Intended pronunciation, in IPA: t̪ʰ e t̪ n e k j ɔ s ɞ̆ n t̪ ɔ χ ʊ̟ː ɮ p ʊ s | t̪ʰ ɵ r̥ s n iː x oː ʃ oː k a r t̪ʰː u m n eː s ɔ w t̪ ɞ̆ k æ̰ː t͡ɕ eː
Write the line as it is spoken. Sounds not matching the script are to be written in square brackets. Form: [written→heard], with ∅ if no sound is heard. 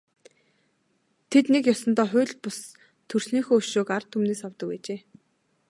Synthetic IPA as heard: t̪ʰ e t̪ n e k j ɔ s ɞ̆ n t̪ [ɔ→ɔː] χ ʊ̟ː ɮ p ʊ s | t̪ʰ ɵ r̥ s n iː x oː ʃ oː k a r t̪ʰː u m n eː s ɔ w t̪ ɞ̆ k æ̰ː t͡ɕ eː